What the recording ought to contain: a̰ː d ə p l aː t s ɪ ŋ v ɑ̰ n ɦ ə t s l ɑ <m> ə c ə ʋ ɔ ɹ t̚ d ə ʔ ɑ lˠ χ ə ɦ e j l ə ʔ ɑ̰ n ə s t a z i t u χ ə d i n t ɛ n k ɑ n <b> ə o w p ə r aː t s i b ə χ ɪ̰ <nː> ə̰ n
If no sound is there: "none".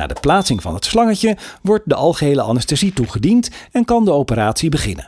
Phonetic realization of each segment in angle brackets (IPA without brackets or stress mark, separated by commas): ŋ, d, n